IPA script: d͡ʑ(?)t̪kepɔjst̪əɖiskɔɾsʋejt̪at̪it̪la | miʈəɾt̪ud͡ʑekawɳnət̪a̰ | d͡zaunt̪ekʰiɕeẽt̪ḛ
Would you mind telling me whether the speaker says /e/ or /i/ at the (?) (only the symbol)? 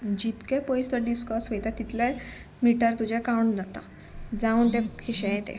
i